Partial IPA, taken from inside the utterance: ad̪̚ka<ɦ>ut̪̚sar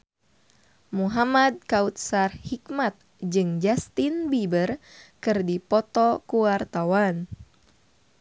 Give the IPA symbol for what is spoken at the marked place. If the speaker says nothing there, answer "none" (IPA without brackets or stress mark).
none